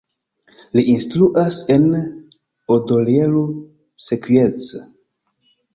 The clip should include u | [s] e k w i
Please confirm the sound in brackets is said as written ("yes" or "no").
yes